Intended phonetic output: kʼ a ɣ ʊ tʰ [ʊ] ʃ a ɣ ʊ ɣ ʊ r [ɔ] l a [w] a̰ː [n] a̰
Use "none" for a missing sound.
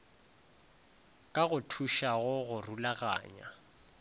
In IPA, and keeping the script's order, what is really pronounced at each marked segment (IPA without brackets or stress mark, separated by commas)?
u, u, ɣ, ɲ